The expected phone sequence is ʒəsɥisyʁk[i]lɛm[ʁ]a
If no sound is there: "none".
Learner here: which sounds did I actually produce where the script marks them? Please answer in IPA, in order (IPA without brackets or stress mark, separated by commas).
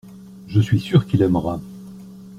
i, ʁ